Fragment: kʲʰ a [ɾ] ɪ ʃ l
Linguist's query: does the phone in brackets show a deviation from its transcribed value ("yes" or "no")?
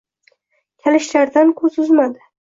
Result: yes